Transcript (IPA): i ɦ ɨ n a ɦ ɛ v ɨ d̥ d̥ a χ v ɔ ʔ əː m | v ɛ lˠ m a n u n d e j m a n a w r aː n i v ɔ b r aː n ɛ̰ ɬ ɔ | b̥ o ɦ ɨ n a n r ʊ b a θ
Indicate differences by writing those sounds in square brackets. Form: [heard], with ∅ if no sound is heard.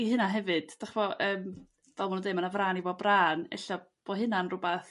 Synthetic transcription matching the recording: i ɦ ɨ n a ɦ ɛ v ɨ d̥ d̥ a χ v ɔ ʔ əː m | v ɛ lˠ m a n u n d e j m a n a [v] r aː n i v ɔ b r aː n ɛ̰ ɬ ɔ | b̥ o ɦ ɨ n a n r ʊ b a θ